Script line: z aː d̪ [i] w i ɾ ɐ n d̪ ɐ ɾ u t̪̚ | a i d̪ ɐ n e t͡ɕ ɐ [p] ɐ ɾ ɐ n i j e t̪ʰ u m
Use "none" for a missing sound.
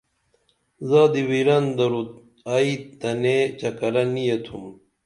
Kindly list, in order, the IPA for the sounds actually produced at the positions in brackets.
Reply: i, k

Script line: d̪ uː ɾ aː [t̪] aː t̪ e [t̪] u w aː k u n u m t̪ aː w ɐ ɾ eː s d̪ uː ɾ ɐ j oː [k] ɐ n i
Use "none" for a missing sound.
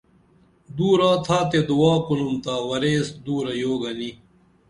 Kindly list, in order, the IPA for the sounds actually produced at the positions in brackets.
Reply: t̪ʰ, d̪, ɡ

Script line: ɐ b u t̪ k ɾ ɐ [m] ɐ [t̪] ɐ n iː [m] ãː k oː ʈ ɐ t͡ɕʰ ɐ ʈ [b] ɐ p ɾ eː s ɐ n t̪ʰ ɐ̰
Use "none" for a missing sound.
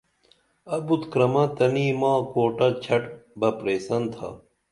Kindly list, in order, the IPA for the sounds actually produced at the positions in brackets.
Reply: m, t̪, m, b

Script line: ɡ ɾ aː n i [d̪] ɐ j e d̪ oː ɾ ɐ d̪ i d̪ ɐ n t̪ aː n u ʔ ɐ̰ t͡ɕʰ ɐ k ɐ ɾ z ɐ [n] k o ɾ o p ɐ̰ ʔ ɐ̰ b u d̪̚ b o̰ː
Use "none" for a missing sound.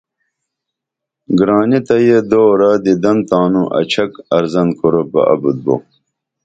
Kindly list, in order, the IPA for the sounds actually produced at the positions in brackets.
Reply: t̪, n

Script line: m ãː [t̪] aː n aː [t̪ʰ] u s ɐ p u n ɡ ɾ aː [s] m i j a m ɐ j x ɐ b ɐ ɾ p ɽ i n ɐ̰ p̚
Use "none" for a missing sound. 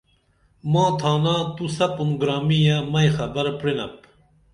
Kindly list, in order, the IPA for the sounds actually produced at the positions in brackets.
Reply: t̪ʰ, t̪, none

